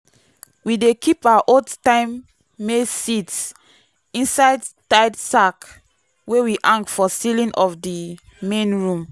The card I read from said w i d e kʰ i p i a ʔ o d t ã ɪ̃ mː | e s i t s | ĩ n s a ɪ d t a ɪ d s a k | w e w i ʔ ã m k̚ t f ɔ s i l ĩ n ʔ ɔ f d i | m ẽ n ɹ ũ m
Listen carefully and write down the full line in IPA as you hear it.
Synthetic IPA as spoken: w i d e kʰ i p a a ʔ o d t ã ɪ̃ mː | e s i t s | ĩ n s a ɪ d t a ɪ d s a k | w e w i ʔ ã ŋ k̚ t f ɔ s i l ĩ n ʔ ɔ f d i | m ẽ n ɹ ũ m